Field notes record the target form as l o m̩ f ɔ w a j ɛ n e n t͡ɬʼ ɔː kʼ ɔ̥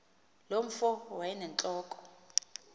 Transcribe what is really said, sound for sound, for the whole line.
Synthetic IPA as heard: l o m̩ f ɔ w a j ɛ n ɛ n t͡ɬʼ ɔː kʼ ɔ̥